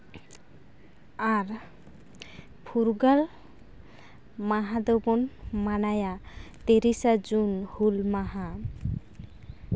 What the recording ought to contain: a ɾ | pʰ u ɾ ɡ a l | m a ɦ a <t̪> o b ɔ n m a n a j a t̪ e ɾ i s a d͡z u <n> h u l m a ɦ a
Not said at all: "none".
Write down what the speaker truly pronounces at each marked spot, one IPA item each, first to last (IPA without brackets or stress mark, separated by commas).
d̪, n